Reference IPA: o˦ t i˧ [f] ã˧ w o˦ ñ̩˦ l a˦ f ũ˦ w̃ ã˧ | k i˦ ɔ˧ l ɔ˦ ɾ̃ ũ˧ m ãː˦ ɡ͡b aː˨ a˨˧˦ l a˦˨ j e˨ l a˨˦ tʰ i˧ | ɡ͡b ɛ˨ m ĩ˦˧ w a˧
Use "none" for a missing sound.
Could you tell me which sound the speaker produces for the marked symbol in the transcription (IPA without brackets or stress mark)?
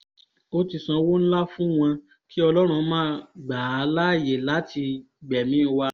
s